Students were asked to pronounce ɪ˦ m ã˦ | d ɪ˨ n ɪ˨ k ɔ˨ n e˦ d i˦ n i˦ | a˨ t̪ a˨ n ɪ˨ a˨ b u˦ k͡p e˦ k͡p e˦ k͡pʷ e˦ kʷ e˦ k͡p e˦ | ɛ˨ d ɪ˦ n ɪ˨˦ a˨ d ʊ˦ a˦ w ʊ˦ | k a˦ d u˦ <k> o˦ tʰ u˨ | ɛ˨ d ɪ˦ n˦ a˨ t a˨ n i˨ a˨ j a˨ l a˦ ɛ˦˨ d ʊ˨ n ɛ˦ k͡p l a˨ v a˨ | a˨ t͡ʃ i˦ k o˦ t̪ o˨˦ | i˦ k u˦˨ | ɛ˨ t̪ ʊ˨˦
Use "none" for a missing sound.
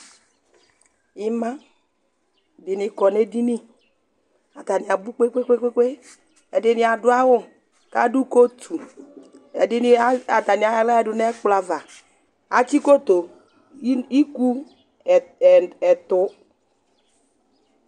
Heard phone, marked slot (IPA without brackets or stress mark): k